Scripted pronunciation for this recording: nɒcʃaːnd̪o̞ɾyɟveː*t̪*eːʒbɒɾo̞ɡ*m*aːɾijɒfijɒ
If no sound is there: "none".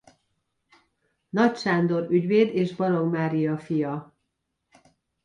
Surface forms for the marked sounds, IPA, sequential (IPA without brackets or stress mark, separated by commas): d̪, m